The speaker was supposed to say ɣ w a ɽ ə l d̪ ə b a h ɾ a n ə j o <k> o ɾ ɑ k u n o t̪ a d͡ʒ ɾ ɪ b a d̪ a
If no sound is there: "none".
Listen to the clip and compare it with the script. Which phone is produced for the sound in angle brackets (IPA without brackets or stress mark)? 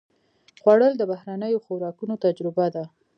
x